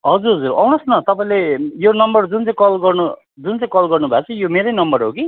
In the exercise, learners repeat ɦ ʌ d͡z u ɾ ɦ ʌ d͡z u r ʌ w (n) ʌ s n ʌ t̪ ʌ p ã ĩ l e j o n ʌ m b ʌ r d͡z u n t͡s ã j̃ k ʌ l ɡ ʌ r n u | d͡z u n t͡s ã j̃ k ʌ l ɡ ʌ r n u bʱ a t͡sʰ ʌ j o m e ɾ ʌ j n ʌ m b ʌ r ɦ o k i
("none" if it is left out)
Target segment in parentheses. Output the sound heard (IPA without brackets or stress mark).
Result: n